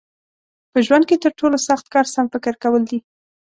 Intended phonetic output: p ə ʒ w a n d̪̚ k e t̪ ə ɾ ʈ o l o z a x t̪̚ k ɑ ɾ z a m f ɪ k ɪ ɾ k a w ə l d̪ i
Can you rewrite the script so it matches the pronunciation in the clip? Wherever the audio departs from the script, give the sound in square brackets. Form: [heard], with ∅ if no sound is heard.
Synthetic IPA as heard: p ə ʒ w a n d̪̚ k e t̪ ə ɾ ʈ o l o [s] a x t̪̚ k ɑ ɾ [s] a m f ɪ k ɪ ɾ k a w ə l d̪ i